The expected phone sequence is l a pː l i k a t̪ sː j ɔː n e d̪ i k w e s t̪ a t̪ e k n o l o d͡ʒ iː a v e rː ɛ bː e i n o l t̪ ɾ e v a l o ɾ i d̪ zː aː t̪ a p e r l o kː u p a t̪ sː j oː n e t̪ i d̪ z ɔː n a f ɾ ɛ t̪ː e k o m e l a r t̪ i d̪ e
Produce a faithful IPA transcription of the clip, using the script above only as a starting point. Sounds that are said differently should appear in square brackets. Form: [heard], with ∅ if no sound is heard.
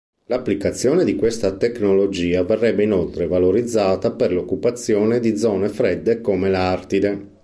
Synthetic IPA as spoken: l a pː l i k a t̪ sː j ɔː n e d̪ i k w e s t̪ a t̪ e k n o l o d͡ʒ iː a v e rː ɛ bː e i n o l t̪ ɾ e v a l o ɾ i d̪ zː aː t̪ a p e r l o kː u p a t̪ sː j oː n e [d̪] i d̪ z ɔː n [e] f ɾ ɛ [d̪ː] e k o m e l a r t̪ i d̪ e

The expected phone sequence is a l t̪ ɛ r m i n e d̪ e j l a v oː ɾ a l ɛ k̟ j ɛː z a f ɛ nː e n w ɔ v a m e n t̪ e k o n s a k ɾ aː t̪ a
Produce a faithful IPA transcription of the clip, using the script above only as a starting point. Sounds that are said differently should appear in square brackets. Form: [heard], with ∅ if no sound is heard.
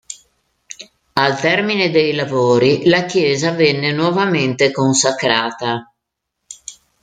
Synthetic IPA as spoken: a l t̪ ɛ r m i n e d̪ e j l a v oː ɾ [i] l [a] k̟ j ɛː z a [v] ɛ nː e n w ɔ v a m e n t̪ e k o n s a k ɾ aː t̪ a

